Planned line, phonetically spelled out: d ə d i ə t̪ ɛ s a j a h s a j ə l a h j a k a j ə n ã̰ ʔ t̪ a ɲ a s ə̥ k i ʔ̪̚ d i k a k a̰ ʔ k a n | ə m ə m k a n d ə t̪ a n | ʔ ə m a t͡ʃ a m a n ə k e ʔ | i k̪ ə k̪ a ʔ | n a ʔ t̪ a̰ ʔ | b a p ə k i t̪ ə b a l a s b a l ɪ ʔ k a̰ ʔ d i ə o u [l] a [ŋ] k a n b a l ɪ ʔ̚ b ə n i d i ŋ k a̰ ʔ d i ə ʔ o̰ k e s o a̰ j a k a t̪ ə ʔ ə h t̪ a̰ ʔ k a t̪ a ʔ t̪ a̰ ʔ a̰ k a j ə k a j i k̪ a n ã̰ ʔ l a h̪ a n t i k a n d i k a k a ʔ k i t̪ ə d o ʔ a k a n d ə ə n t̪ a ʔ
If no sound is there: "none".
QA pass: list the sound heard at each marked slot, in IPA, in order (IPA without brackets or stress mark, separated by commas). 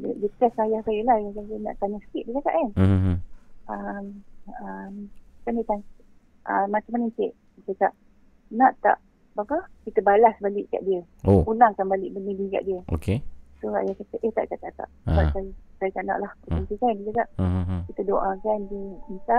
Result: l, ŋ